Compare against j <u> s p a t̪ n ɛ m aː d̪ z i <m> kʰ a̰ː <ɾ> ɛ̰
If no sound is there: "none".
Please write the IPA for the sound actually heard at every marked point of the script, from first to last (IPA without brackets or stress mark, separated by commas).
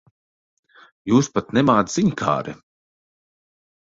uː, ɲ, ɾ